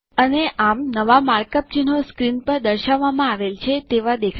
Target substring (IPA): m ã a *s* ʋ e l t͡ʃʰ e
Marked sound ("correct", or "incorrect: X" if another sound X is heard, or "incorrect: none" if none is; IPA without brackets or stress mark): incorrect: none